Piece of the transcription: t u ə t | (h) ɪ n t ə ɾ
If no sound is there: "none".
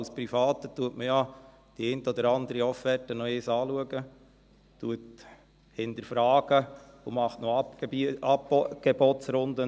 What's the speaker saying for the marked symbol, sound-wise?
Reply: h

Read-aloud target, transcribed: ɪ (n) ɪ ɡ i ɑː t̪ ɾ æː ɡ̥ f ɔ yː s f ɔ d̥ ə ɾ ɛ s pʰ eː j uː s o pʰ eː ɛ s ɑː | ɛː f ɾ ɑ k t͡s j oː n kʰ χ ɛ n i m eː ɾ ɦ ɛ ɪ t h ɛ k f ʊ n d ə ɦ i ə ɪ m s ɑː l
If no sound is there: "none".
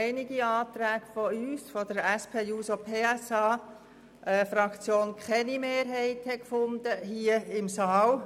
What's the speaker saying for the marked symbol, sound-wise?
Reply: n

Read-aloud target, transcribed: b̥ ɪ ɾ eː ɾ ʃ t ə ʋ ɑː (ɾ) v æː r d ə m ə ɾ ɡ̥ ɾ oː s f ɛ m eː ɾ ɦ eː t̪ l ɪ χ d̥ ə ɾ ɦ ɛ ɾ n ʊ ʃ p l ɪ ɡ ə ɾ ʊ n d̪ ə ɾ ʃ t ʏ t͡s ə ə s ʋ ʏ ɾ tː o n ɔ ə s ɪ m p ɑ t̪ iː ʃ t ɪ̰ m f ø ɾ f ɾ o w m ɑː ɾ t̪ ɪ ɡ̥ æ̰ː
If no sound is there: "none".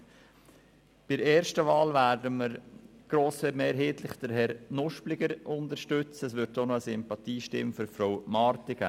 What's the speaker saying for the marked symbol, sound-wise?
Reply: l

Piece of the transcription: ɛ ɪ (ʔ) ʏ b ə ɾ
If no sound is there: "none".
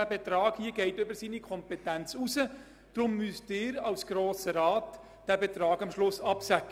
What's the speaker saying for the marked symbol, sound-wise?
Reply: t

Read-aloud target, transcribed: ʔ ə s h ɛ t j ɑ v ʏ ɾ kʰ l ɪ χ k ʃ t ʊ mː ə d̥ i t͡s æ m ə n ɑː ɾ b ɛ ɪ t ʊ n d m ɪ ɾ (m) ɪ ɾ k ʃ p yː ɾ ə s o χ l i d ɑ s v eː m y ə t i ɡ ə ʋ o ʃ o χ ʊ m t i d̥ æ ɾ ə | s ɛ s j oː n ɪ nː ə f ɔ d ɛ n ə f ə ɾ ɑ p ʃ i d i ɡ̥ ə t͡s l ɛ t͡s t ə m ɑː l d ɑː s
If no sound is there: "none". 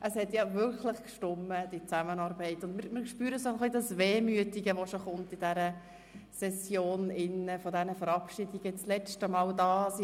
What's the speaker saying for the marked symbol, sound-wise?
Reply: m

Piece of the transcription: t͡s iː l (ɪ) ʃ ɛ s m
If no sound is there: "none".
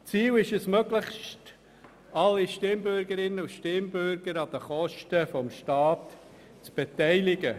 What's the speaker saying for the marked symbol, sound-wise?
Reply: ɪ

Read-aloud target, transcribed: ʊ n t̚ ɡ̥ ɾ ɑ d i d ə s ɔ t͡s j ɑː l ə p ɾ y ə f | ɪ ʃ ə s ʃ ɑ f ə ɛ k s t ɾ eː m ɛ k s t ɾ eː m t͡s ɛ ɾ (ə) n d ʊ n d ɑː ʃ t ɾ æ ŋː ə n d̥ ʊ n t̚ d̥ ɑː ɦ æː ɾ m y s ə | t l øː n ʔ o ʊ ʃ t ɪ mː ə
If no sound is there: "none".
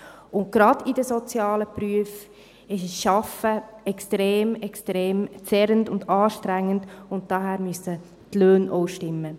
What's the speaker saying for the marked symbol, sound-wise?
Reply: ə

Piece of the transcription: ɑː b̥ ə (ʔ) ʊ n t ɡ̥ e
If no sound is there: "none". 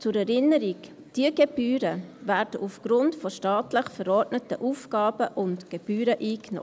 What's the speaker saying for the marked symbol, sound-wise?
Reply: ʔ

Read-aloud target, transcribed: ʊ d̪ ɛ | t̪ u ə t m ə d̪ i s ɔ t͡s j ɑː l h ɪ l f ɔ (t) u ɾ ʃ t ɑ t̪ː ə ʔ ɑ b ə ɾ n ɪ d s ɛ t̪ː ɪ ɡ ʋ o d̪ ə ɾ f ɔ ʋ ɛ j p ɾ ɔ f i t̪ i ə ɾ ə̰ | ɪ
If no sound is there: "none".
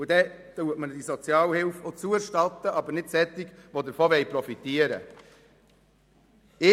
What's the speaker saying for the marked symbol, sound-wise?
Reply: t͡s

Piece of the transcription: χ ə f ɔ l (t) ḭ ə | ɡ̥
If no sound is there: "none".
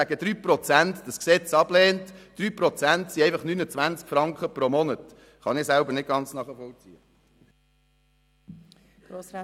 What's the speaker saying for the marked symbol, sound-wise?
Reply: t͡s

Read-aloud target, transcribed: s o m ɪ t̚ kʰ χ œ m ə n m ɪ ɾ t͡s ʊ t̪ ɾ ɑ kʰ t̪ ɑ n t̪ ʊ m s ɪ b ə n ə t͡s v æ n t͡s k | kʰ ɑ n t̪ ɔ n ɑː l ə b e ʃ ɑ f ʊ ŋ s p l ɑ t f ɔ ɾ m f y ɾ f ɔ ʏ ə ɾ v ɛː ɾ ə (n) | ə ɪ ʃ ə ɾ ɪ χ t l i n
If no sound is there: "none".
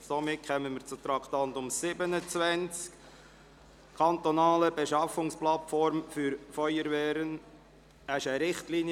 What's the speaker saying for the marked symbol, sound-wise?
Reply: n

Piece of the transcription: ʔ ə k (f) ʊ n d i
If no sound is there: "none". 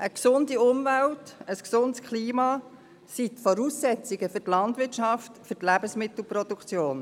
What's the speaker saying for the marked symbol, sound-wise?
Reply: s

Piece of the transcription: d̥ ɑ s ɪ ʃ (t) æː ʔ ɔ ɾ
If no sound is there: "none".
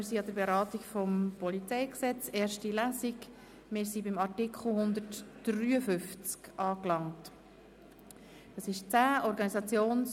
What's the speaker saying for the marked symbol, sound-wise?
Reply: t͡s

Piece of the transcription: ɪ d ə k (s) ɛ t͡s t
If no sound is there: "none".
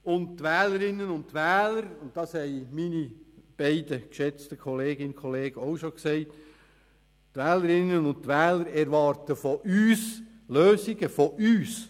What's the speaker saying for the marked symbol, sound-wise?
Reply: ʃ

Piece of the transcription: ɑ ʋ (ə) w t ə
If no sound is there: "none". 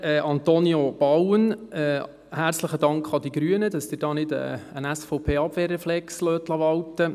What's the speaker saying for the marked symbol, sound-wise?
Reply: ɑ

